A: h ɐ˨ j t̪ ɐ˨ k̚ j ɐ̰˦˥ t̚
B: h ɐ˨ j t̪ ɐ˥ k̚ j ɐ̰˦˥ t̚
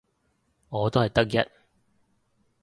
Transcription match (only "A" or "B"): B